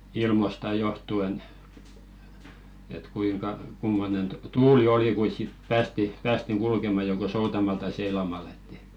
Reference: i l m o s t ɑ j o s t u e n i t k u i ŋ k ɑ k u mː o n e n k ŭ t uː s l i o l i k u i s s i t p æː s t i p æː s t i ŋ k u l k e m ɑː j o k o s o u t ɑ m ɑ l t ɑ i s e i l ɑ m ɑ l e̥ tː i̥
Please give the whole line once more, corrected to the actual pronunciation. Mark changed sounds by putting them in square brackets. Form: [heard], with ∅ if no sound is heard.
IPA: i l m o s t ɑ j o [h] t u e n [e] t k u i ŋ k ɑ k u mː o n e n [t] ŭ t uː [∅] l i o l i k u i s s i t p æː s t i p æː s t i ŋ k u l k e m [ɑ] j o k o s o u t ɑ m ɑ l t ɑ i s e i l ɑ m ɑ l e̥ tː i̥